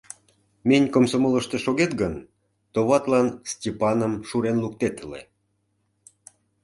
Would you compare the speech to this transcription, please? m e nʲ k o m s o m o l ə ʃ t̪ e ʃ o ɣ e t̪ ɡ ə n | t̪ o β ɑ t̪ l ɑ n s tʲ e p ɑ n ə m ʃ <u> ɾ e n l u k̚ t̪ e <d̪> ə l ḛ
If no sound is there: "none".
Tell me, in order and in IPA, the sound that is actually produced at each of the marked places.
u, t̪

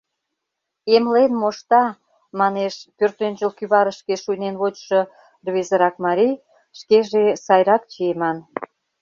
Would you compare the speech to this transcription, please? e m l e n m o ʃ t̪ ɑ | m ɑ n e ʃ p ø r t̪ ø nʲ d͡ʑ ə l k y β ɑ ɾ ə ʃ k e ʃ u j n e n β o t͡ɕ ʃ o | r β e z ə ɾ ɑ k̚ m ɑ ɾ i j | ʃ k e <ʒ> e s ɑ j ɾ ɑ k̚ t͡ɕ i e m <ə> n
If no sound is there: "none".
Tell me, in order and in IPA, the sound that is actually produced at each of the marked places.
ʒ, ɑ

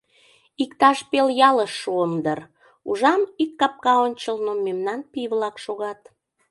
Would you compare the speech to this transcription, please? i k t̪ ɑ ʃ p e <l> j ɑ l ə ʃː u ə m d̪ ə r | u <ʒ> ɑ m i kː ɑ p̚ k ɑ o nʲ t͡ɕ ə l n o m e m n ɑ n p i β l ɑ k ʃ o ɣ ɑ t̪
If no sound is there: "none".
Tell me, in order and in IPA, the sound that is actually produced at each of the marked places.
l, ʒ

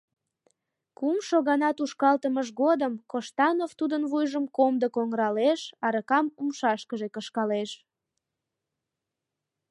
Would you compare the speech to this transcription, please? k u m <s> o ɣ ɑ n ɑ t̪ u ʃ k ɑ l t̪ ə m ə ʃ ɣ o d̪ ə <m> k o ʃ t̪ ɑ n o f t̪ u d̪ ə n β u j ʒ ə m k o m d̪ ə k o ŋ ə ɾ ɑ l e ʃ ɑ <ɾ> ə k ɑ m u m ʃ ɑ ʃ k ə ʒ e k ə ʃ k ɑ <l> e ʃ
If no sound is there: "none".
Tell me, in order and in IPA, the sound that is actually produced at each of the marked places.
ʃ, m, ɾ, l

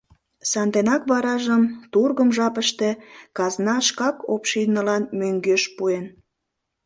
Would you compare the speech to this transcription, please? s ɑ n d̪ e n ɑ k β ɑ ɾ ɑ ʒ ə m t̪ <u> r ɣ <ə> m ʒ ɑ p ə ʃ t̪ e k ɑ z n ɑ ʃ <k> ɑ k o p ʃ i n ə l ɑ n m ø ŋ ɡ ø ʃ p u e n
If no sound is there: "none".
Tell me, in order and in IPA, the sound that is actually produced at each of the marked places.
u, ə, k

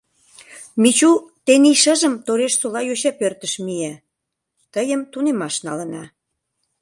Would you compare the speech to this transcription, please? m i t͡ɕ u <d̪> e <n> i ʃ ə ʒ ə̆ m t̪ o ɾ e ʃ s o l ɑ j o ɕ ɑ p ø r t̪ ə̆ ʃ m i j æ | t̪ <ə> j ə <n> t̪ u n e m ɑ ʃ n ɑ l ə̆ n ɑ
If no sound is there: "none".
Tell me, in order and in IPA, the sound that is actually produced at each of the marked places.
t̪, n, ə, m

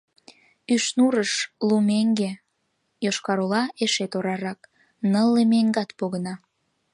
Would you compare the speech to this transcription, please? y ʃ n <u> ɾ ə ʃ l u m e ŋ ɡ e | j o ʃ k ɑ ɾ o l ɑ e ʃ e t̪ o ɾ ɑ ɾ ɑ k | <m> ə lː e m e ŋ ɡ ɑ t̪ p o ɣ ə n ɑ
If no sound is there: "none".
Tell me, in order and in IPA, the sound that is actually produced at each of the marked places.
u, n

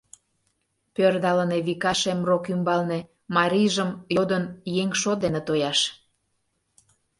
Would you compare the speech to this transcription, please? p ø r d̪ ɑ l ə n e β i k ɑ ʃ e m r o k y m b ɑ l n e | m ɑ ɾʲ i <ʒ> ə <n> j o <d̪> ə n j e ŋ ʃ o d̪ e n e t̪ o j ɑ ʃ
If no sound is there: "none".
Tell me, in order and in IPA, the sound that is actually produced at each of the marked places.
ʒ, m, d̪

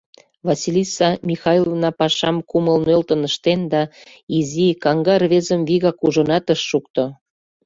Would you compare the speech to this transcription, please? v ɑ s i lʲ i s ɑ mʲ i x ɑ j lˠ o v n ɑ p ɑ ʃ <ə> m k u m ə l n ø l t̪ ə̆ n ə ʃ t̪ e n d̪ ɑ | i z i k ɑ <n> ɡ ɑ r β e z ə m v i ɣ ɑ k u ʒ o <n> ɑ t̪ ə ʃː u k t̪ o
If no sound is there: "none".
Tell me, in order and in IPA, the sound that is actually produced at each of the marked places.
ɑ, ŋ, n

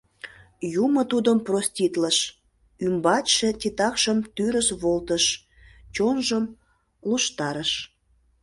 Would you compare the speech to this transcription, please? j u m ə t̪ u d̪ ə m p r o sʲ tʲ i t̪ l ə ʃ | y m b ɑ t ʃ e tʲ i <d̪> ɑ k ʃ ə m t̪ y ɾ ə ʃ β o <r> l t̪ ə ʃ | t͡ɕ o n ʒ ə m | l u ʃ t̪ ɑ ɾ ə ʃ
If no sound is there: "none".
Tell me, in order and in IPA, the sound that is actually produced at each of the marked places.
t̪, none

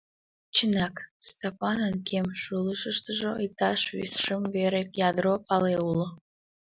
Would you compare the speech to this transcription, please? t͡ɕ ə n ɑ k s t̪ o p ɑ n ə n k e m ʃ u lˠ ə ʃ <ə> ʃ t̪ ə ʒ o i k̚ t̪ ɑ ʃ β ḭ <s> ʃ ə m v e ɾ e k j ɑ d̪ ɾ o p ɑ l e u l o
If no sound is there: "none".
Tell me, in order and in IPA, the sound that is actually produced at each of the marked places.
ə, s

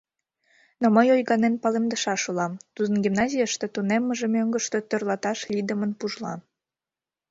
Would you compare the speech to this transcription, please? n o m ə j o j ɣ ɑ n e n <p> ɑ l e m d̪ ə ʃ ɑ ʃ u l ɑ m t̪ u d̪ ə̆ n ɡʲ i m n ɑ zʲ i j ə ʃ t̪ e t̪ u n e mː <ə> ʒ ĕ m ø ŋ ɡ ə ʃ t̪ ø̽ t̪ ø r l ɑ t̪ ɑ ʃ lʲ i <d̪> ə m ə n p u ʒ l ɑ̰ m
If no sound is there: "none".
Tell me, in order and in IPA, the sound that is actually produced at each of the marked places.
p, ə, d̪

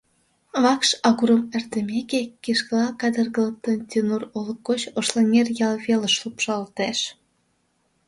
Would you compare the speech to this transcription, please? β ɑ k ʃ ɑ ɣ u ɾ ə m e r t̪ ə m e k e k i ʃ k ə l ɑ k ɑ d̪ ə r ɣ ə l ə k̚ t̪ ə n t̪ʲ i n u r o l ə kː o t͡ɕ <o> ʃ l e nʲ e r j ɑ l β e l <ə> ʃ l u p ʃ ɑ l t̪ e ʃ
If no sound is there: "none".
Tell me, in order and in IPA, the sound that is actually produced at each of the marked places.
o, ə

